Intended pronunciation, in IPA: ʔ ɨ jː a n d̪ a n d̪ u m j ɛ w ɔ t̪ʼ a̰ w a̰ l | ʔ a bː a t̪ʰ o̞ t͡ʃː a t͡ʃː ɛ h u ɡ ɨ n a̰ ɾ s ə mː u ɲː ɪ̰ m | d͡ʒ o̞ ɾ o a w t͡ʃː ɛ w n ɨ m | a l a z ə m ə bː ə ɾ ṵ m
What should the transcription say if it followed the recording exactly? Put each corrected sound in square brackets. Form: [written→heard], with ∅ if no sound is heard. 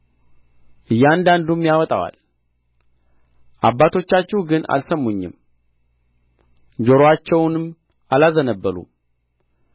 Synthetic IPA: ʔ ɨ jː a n d̪ a n d̪ u m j [ɛ→a] w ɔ t̪ʼ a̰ w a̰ l | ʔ a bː a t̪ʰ o̞ t͡ʃː a t͡ʃː ɛ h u ɡ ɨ n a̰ [ɾ→l] s ə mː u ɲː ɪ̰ m | d͡ʒ o̞ ɾ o a [w→∅] t͡ʃː ɛ w n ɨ m | a l a z ə [m→n] ə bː ə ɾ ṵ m